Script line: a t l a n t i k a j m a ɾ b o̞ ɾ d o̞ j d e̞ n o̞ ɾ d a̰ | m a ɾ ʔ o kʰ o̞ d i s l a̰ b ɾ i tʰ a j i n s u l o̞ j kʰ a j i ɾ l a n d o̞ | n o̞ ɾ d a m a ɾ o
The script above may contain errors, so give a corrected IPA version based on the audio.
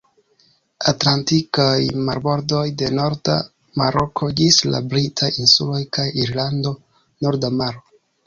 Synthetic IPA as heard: a t l a n t i k a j m a ɾ b o̞ ɾ d o̞ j d e̞ n o̞ ɾ d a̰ | m a ɾ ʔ o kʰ o̞ d͡ʒ i s l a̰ b ɾ i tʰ a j i n s u l o̞ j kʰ a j i ɾ l a n d o̞ | n o̞ ɾ d a m a ɾ o